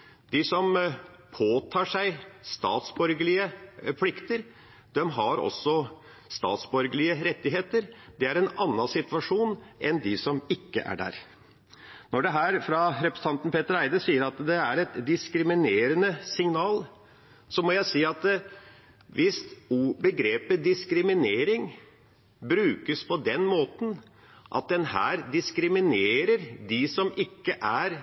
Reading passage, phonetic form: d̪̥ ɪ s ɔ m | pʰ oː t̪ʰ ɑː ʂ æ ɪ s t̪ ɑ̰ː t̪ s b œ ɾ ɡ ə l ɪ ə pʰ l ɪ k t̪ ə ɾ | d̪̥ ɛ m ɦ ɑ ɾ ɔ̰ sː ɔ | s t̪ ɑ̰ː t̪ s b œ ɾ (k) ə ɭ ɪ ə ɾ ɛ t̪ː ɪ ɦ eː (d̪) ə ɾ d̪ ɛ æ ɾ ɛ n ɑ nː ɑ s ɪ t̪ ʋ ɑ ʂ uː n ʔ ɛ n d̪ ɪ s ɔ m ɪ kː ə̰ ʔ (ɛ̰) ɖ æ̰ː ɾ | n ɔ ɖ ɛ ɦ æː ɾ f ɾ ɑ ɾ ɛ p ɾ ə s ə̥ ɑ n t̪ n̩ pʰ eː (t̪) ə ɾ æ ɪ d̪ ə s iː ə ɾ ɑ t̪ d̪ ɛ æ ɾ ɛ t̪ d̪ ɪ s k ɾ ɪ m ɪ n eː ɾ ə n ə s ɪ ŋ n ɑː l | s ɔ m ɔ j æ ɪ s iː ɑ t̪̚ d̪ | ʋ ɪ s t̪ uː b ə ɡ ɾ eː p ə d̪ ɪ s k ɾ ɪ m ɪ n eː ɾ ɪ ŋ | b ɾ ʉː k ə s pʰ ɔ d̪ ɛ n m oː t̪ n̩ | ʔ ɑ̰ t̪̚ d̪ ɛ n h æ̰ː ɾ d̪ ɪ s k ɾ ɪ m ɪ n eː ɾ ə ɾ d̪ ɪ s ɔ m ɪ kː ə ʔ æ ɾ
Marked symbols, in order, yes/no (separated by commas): no, no, no, yes